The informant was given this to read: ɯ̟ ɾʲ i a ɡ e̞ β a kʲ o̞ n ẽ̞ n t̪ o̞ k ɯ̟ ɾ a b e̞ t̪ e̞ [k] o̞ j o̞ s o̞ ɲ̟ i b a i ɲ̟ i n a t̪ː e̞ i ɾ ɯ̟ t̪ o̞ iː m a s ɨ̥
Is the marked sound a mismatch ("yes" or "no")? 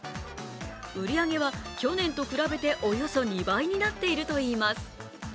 yes